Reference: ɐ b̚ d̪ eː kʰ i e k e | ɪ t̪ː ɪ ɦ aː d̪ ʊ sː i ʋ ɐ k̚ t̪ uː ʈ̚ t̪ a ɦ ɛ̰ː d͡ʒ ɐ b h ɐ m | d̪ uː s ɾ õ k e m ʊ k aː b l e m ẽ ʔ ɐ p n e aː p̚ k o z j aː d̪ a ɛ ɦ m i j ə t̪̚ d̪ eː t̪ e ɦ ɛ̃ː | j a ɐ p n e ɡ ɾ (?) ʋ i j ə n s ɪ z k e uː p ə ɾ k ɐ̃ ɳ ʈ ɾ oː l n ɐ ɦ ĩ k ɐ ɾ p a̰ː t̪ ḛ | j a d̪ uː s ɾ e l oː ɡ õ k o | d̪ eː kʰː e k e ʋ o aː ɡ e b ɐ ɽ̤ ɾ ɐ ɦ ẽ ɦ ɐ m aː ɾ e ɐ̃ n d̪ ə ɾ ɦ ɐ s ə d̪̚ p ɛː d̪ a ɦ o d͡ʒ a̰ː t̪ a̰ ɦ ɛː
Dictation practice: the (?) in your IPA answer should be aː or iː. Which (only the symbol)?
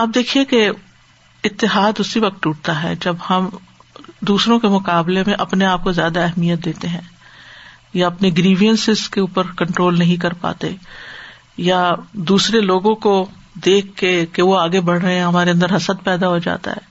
iː